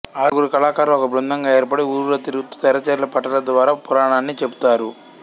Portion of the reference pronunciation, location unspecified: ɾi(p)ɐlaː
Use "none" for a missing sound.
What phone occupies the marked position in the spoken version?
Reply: k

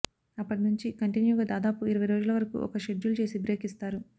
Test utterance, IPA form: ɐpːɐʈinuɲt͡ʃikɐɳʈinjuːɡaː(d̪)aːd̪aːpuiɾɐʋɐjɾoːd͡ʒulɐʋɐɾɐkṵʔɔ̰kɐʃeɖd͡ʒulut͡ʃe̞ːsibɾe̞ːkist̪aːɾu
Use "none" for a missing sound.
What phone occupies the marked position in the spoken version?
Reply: d̪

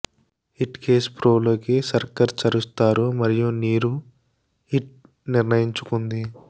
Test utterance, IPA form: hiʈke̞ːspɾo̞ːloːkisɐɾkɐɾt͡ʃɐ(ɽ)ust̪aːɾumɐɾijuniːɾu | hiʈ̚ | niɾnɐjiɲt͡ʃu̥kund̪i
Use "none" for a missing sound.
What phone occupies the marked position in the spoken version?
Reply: ɾ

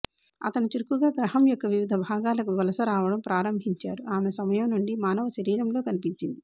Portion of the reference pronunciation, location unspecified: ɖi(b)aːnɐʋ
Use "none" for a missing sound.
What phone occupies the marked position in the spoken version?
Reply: m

